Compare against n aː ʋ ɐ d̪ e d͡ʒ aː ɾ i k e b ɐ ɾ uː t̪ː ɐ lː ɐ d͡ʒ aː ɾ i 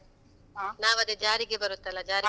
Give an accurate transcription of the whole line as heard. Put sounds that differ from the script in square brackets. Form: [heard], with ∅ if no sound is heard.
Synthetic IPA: n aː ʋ ɐ d̪ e d͡ʒ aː ɾ i [ɡ] e b ɐ ɾ [u] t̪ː ɐ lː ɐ d͡ʒ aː ɾ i